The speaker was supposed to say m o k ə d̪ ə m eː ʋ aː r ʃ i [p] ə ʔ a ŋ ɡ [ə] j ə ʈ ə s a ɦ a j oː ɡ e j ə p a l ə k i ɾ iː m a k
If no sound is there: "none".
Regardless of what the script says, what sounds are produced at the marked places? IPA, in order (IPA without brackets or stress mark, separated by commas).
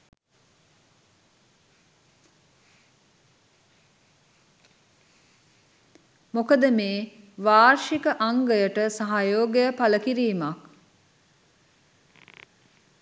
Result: k, ə